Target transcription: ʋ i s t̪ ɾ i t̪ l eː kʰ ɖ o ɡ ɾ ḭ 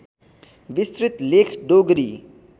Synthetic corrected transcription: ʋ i s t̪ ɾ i t̪ l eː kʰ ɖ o ɡ ɾ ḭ